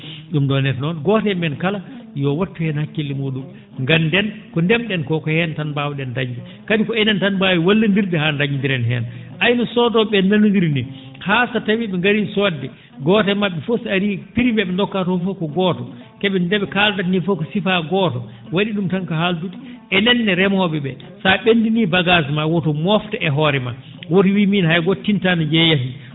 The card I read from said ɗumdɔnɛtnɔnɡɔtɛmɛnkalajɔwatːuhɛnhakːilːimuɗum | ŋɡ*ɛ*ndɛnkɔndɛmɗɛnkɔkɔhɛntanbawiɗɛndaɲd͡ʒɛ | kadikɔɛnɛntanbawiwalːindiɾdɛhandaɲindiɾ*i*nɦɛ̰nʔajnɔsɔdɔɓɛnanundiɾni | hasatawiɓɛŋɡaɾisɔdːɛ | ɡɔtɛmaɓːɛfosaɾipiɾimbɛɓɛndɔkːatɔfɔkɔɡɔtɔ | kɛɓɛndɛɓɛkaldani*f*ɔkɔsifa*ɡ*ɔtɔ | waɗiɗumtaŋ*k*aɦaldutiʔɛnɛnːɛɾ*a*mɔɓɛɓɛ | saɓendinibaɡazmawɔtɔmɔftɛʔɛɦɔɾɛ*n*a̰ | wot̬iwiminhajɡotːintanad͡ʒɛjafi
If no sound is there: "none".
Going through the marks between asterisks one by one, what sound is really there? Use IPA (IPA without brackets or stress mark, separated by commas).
a, ɛ, f, ɡ, k, ɛ, m